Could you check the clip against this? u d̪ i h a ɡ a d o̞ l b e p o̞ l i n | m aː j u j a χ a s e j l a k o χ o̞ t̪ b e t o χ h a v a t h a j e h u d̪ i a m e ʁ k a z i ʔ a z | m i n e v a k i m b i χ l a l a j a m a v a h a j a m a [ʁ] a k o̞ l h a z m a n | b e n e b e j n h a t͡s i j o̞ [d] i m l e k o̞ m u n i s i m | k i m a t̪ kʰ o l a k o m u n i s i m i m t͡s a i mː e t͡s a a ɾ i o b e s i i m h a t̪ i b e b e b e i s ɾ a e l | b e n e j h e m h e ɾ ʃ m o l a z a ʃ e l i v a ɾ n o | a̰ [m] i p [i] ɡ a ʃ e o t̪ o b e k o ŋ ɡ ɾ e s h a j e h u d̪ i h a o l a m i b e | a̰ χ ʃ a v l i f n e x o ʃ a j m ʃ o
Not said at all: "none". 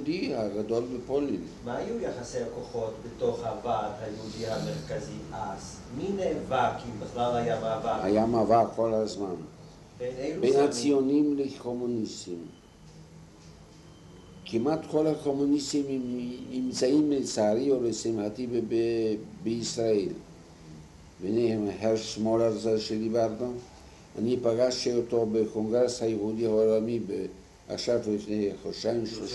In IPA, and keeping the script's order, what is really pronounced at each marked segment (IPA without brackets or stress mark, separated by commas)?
v, n, n, a